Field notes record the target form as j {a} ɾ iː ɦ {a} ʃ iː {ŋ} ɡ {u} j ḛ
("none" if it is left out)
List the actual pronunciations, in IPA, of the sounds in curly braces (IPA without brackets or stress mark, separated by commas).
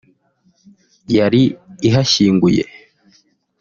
a, a, ŋ, u